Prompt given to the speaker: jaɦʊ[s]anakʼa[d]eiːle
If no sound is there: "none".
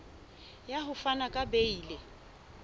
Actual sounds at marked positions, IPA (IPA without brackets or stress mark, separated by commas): f, b